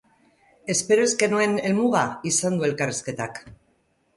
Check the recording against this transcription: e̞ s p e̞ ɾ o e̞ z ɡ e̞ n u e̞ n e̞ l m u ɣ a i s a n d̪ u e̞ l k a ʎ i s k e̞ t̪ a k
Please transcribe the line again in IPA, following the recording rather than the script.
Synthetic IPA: e̞ s p e̞ ɾ o e̞ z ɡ e̞ n u e̞ n e̞ l m u ɣ a i s a n d̪ u e̞ l k a r i s k e̞ t̪ a k

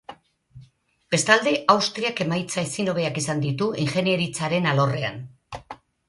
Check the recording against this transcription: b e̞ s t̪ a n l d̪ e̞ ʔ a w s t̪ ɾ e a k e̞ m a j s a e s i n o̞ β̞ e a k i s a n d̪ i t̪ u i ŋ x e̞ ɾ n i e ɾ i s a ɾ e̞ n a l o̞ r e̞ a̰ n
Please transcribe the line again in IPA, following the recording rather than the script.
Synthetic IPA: b e̞ s t̪ a l d̪ e̞ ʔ a w s t̪ ɾ i a k e̞ m a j t͡s a e s i n o̞ β̞ e a k i s a n d̪ i t̪ u i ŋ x e̞ n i e ɾ i t͡s a ɾ e̞ n a l o̞ r e̞ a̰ n

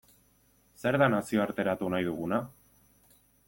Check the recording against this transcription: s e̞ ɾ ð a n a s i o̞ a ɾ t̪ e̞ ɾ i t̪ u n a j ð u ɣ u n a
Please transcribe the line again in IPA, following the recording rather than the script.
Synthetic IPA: s e̞ ɾ ð a n a s i o̞ a ɾ t̪ e̞ ɾ a t̪ u n a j ð u ɣ u n a

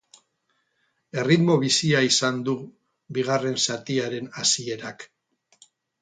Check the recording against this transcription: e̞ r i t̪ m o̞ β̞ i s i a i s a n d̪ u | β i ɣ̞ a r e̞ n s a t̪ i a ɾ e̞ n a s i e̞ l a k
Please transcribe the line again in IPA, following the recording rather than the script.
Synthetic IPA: e̞ r i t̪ m o̞ β̞ i s i a i s a n d̪ u | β i ɣ̞ a r e̞ n s a t̪ i a ɾ e̞ n a s i e̞ ɾ a k

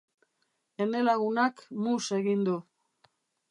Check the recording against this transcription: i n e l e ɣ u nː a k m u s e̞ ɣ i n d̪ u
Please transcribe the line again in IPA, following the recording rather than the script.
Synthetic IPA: e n e l a ɣ u n a k m u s e̞ ɣ i n d̪ u

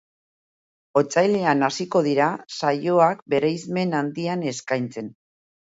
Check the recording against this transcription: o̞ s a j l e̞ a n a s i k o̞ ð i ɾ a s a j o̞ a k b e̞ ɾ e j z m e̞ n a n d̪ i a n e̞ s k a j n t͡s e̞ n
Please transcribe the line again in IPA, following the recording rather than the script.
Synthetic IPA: o̞ t͡s a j l e̞ a n a s i k o̞ ð i ɾ a s a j o̞ a k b e̞ ɾ e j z m e̞ n a n d̪ i a n e̞ s k a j n t͡s e̞ n

